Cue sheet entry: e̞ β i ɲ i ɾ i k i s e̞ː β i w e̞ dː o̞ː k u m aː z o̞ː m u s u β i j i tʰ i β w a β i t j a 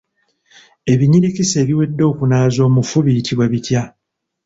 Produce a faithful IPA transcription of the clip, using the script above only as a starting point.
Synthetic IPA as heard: e̞ β i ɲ i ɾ i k i s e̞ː β i w e̞ dː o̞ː k u n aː z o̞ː m u f u β i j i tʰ i β w a β i t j a

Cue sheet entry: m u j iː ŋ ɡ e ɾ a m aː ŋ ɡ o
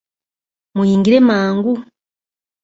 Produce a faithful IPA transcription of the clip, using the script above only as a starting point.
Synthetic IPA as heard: m u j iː ŋ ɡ i ɾ e m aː ŋ ɡ u

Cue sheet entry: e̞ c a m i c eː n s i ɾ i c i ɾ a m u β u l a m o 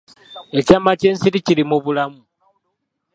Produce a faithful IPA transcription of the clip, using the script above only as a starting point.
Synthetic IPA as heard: e̞ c a m a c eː n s i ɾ i c i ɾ i m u β u l a m u

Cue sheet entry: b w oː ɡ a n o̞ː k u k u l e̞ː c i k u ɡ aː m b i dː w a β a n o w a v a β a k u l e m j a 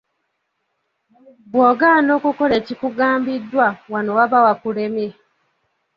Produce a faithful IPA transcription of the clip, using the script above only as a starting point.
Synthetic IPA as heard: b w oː ɡ a n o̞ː k u k o l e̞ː c i k u ɡ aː m b i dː w a w a n o w a β a w a k u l e m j e

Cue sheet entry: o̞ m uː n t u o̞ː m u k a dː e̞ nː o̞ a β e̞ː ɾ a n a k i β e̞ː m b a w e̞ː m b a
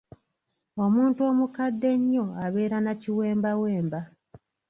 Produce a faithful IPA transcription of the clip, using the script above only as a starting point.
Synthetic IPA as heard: o̞ m uː n t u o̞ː m u k a dː e̞ ɲː o̞ a β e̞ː ɾ a n a c i w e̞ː m b a w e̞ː m b a

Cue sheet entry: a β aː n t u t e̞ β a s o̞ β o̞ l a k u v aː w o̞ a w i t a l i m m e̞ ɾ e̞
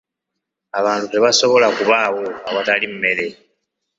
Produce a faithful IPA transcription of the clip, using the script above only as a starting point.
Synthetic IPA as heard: a β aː n t u t e̞ β a s o̞ β o̞ l a k u β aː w o̞ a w a t a l i m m e̞ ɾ e̞

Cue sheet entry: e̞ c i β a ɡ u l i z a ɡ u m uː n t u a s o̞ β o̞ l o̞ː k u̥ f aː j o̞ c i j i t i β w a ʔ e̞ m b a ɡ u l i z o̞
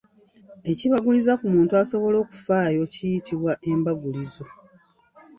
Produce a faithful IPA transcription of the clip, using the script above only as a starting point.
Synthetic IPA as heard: e̞ c i β a ɡ u l i z a k u m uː n t u a s o̞ β o̞ l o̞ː k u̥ f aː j o̞ c i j i t i β w a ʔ e̞ m b a ɡ u l i z o̞

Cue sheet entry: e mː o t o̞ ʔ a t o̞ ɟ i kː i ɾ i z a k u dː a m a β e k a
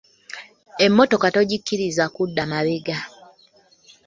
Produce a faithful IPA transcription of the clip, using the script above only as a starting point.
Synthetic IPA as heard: e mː o t o̞ k a t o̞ ɟ i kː i ɾ i z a k u dː a m a β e ɡ a

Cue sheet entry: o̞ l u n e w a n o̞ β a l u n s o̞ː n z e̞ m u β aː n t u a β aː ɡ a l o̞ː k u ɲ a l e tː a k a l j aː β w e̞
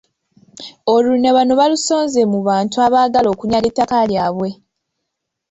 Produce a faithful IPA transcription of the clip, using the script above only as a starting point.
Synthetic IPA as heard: o̞ l u n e β a n o̞ β a l u s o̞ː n z e̞ m u β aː n t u a β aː ɡ a l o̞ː k u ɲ a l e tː a k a l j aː β w e̞

